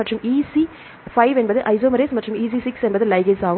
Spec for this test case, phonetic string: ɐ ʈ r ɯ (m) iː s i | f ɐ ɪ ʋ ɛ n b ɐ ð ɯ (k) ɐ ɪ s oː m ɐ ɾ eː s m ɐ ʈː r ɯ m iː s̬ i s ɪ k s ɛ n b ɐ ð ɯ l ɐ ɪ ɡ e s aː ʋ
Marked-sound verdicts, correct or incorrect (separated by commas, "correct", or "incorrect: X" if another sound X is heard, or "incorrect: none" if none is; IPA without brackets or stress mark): correct, incorrect: ʔ